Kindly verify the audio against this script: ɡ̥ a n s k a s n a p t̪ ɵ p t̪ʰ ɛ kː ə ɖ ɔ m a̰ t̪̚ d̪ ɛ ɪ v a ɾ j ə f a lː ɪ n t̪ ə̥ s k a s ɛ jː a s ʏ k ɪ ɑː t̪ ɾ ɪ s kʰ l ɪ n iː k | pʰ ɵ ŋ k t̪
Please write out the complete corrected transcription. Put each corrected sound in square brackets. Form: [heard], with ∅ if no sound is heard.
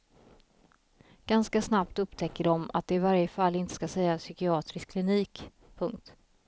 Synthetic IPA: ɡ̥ a n s k a s n a p t̪ ɵ p t̪ʰ ɛ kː ə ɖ ɔ m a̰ t̪̚ d̪ ɛ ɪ v a ɾ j ə f a lː ɪ n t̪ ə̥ s k a s ɛ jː a s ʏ k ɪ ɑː t̪ ɾ ɪ s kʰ l ɪ n iː k | pʰ ɵ ŋ k t̪